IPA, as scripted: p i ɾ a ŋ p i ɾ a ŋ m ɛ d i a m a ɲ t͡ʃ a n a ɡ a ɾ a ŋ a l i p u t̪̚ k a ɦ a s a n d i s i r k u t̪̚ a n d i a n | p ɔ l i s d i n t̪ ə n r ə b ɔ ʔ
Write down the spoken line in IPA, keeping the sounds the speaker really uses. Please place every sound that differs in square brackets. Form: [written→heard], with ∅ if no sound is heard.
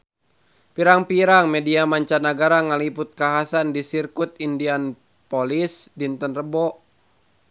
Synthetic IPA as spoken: p i ɾ a ŋ p i ɾ a ŋ m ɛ d i a m a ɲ t͡ʃ a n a ɡ a ɾ a ŋ a l i p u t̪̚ k a ɦ a s a n d i s i r k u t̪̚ [a→i] n d i a n | p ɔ l i s d i n t̪ ə n r ə b ɔ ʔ